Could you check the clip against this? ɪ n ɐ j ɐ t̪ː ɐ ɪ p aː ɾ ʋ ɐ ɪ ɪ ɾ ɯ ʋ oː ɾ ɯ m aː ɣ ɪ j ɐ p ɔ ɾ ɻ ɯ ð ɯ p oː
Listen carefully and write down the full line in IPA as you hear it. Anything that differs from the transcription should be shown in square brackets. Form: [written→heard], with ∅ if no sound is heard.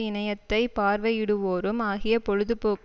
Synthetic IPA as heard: ɪ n ɐ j ɐ t̪ː ɐ ɪ p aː ɾ ʋ ɐ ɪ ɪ [ɾ→ɽ] ɯ ʋ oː ɾ ɯ m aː ɣ ɪ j ɐ p ɔ [ɾ→∅] ɻ ɯ ð ɯ p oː